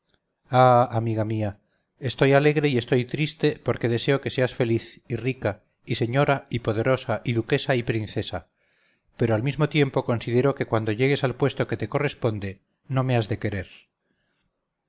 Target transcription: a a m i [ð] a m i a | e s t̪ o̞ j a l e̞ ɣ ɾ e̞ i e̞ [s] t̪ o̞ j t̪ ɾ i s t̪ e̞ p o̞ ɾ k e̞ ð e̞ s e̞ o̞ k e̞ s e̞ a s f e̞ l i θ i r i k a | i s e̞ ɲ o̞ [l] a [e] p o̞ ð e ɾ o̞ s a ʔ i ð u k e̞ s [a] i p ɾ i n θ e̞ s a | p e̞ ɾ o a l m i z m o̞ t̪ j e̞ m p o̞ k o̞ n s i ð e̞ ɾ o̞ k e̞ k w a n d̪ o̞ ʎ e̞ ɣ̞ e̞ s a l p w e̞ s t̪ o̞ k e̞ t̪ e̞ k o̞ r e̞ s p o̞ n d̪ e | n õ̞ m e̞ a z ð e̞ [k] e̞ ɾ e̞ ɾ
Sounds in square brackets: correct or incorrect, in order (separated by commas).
incorrect, correct, incorrect, incorrect, correct, correct